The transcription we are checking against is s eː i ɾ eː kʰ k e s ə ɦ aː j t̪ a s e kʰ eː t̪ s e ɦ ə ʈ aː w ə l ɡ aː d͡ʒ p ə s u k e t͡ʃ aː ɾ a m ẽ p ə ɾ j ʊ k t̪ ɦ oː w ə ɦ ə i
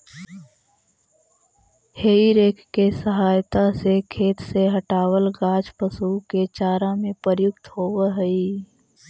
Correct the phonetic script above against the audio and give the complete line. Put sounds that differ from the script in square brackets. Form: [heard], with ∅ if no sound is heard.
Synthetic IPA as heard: [h] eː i ɾ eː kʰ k e s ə ɦ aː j t̪ a s e kʰ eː t̪ s e ɦ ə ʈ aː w ə l ɡ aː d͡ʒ p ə s u k e t͡ʃ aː ɾ a m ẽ p ə ɾ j ʊ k t̪ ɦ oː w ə ɦ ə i